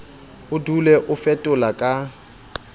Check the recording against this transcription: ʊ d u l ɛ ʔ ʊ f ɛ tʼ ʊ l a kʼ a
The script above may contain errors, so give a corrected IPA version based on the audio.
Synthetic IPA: ʊ d u l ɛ ʔ ʊ f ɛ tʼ ʊ l a kʼ a